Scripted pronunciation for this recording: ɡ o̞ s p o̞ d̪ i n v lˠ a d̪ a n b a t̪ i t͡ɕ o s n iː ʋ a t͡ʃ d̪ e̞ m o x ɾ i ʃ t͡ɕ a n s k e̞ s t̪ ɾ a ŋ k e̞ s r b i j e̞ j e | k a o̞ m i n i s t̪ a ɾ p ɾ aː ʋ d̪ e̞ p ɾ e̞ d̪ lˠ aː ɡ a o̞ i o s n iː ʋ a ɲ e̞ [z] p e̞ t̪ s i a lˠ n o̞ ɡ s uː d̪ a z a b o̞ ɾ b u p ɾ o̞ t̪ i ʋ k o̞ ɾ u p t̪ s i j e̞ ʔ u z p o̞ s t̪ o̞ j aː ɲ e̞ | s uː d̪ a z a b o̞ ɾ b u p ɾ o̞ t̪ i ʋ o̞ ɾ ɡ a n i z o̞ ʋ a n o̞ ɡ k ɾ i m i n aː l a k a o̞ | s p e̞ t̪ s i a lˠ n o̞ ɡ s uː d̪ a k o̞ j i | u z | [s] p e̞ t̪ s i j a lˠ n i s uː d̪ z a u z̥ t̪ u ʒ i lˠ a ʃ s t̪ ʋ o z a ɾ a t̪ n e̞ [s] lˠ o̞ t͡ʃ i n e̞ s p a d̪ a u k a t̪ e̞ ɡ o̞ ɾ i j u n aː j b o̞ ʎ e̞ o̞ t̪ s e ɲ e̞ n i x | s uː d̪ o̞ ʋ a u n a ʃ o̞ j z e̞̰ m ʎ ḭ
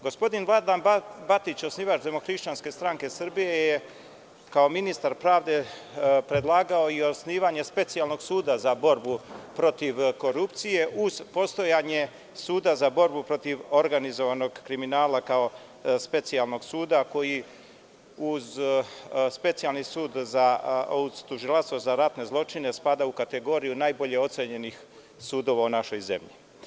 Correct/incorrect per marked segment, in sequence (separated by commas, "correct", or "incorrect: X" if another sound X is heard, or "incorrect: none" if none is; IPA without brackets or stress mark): incorrect: s, correct, incorrect: z